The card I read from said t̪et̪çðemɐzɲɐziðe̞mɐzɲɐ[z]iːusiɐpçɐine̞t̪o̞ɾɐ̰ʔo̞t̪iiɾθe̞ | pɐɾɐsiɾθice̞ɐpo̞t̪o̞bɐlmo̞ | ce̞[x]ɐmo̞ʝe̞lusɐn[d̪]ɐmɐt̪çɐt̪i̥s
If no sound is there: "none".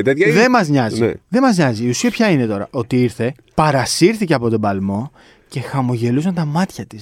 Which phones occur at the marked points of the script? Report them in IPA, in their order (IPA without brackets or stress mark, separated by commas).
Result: z, x, t̪